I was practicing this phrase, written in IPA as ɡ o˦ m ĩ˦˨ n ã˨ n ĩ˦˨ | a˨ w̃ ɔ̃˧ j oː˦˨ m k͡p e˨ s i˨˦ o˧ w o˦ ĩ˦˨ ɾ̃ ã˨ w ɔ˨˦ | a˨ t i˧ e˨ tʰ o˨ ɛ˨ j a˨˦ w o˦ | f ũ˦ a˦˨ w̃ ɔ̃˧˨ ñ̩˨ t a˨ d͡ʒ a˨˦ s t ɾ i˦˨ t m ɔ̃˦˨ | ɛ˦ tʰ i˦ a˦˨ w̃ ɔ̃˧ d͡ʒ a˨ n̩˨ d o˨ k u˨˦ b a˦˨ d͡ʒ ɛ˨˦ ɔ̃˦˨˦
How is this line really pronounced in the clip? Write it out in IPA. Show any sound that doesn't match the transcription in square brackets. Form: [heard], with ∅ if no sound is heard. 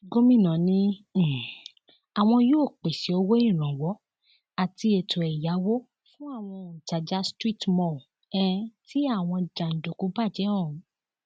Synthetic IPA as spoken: ɡ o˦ m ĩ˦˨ n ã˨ n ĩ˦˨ | a˨ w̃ ɔ̃˧ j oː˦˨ [∅] k͡p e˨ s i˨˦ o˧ w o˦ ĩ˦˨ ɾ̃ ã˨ w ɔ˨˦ | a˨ t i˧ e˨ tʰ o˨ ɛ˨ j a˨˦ w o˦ | f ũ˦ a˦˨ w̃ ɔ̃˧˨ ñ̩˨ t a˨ d͡ʒ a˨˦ s t ɾ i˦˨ t m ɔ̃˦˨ | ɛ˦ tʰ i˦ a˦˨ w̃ ɔ̃˧ d͡ʒ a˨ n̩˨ d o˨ k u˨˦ b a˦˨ d͡ʒ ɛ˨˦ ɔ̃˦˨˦

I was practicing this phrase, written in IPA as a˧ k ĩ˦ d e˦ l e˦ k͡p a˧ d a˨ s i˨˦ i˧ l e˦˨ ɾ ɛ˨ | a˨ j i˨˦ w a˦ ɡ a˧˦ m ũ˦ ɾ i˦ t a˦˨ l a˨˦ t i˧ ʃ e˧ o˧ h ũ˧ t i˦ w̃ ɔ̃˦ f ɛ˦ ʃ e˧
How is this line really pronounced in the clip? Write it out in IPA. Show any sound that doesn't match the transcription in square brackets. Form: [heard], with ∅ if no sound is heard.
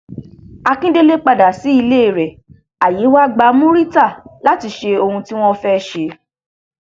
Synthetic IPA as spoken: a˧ k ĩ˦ d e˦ l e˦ k͡p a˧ d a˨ s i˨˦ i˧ l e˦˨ ɾ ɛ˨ | a˨ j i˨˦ w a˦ [ɡ͡b] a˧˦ m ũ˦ ɾ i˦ t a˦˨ l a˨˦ t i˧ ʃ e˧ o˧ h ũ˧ t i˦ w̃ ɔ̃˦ f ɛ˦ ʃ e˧

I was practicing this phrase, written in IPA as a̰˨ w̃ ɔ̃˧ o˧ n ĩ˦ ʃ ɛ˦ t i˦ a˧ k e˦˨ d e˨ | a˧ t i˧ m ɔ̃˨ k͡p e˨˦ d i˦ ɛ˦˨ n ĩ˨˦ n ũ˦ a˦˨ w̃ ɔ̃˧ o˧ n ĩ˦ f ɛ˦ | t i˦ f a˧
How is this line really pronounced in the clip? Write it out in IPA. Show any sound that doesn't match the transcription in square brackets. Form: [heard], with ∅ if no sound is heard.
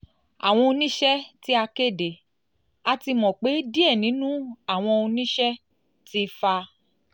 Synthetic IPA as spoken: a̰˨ w̃ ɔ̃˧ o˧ n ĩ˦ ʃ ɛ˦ t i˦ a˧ k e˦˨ d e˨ | a˧ t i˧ m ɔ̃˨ k͡p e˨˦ d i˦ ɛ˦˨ n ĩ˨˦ n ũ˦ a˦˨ w̃ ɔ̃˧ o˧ n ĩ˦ [ʃ] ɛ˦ | t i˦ f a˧

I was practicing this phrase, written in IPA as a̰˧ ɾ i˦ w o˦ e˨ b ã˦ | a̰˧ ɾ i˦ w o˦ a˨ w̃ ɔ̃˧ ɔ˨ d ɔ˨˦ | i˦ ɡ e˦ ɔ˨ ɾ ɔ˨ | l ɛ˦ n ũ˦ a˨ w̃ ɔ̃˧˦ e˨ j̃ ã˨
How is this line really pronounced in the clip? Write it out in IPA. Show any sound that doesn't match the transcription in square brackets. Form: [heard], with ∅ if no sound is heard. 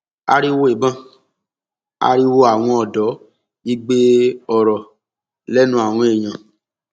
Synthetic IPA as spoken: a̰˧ ɾ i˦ w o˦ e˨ b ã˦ | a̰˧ ɾ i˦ w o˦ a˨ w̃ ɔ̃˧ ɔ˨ d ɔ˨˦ | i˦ [ɡ͡b] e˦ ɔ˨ ɾ ɔ˨ | l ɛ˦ n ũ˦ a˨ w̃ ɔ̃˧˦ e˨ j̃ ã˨

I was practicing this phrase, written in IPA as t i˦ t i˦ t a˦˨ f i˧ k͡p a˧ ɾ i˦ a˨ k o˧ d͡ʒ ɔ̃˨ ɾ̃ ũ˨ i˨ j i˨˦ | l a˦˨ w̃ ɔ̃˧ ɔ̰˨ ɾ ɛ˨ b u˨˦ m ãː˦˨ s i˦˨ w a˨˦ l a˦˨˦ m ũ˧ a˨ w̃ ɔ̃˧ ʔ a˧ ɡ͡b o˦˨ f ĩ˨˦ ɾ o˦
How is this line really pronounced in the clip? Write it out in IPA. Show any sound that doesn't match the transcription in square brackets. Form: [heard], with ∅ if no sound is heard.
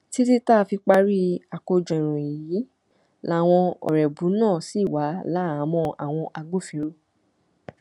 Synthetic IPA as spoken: t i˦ t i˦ t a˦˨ f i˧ k͡p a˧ ɾ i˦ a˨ k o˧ d͡ʒ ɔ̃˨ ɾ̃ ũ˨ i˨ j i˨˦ | l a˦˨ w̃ ɔ̃˧ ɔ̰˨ ɾ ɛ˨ b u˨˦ [n] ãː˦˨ s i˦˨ w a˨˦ l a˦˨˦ m [ɔ̃˧] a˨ w̃ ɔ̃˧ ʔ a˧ ɡ͡b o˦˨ f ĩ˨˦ ɾ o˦

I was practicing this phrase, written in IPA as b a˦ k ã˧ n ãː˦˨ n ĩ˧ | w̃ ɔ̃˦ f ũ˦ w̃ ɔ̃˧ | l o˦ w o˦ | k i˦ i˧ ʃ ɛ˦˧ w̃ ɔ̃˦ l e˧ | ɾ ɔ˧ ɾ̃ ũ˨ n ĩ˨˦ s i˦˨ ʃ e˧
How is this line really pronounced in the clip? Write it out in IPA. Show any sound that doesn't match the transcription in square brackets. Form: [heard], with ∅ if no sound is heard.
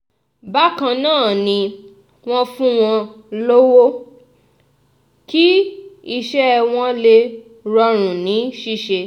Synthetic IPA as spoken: b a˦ k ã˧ n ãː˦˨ n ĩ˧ | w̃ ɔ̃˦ f ũ˦ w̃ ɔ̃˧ | l o˦ w o˦ | k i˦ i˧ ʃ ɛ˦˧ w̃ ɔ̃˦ l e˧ | ɾ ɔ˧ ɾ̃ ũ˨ n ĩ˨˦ [ʃ] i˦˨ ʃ e˧

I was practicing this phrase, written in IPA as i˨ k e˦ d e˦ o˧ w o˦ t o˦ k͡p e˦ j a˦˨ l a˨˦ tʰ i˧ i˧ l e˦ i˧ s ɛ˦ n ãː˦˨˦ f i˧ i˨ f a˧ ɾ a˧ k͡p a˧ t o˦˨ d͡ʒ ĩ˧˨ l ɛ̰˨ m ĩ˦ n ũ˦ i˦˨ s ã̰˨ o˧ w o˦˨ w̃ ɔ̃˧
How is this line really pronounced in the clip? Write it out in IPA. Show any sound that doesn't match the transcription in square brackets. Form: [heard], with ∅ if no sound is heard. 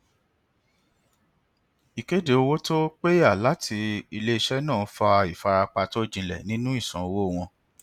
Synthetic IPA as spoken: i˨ k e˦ d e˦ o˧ w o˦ t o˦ k͡p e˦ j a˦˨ l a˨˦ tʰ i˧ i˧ l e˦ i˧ [ʃ] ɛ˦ n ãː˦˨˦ f [a˧] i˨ f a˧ ɾ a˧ k͡p a˧ t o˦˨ d͡ʒ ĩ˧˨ l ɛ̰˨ [n] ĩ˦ n ũ˦ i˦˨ s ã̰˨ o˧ w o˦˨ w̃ ɔ̃˧

